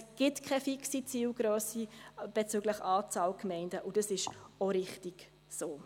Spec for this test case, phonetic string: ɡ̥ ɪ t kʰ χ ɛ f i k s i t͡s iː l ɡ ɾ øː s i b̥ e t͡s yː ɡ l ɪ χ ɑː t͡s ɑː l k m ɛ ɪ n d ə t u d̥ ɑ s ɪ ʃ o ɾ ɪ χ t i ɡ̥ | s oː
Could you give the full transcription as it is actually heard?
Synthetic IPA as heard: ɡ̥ ɪ t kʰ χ ɛ f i k s i t͡s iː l ɡ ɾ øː s i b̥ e t͡s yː ɡ l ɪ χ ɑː t͡s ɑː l k m ɛ ɪ n d ə ʔ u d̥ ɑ s ɪ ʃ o ɾ ɪ χ t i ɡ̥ | s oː